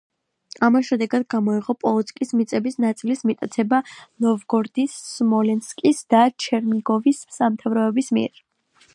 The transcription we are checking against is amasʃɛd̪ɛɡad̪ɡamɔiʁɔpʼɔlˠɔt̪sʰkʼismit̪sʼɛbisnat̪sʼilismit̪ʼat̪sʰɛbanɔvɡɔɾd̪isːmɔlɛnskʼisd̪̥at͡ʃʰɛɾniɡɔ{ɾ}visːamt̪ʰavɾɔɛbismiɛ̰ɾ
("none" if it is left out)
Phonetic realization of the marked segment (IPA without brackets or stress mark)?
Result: none